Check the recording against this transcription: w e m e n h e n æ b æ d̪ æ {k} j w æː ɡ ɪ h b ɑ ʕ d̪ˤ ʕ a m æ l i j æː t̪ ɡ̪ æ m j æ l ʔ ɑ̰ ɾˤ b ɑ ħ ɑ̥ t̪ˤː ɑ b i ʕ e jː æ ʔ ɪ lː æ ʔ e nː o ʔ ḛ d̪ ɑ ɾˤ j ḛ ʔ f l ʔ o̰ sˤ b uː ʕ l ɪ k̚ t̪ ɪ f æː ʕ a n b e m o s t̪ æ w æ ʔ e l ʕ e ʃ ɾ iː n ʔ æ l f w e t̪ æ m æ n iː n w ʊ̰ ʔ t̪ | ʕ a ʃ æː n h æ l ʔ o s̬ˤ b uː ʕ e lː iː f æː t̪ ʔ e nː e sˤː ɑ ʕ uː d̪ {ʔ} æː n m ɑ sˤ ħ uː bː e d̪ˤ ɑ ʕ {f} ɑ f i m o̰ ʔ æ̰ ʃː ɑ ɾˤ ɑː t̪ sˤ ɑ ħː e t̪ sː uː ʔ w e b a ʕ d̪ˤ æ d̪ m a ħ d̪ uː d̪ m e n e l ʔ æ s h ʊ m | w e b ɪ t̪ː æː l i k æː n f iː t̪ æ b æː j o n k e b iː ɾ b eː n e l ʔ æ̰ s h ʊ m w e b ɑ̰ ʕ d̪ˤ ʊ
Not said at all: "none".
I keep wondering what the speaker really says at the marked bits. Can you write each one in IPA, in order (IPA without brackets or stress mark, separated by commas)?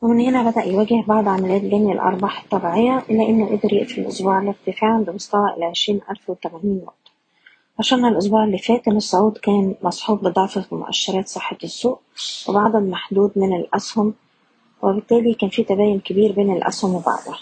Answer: ʔ, k, f